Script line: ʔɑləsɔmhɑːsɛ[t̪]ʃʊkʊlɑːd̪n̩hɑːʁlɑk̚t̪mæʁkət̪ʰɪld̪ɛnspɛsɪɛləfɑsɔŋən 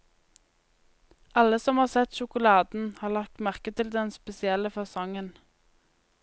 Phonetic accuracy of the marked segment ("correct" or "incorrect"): correct